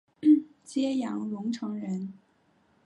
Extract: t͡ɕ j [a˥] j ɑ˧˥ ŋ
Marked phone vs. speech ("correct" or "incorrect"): incorrect